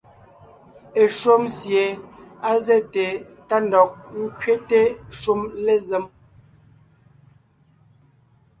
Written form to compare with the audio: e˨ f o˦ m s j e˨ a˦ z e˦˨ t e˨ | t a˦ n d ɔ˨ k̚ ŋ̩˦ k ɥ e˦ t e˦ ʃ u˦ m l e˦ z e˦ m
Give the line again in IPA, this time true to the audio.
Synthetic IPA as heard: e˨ ʃ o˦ m s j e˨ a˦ z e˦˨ t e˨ | t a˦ n d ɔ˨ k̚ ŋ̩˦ k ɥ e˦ t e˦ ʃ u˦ m l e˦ z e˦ m